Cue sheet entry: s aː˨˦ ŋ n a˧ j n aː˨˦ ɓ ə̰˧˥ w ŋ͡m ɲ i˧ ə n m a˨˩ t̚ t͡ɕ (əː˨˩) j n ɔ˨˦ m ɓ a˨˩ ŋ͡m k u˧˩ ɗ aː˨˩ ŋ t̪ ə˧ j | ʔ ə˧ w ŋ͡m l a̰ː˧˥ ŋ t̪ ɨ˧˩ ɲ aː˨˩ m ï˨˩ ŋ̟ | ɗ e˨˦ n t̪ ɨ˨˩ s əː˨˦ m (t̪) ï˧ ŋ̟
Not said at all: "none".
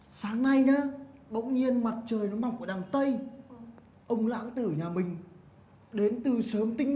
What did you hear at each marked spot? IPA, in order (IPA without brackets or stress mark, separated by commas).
əː˨˩, t̪